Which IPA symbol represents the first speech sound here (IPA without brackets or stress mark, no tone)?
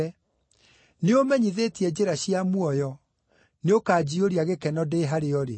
n